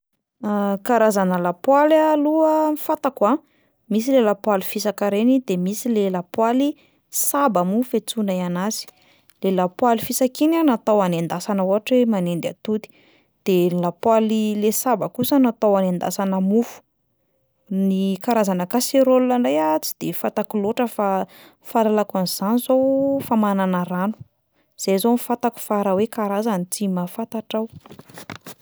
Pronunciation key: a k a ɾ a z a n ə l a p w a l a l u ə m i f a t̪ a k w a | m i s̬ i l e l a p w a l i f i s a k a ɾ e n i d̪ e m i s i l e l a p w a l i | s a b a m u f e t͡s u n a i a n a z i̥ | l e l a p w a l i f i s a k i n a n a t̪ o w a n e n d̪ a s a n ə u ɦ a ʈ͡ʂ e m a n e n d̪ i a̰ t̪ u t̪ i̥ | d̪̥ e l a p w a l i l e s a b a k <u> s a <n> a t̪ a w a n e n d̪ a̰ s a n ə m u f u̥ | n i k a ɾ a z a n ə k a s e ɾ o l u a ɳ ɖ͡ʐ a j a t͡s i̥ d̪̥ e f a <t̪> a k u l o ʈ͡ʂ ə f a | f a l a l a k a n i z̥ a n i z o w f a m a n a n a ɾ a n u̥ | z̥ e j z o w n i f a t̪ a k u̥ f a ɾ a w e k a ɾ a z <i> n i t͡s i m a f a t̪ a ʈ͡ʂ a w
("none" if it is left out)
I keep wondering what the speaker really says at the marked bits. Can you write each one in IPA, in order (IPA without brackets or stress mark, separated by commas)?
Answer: u, n, t̪, a